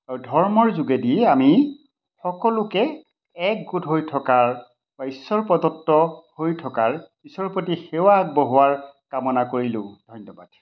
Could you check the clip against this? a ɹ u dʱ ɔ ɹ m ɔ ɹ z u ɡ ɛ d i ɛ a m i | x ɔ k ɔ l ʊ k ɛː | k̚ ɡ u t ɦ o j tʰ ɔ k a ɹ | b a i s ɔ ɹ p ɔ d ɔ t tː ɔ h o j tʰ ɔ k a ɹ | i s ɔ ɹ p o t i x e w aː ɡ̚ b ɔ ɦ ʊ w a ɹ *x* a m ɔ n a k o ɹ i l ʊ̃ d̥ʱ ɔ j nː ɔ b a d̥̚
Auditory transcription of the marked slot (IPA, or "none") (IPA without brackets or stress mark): k